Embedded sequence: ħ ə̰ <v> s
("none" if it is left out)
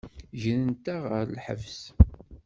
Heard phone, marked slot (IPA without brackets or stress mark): v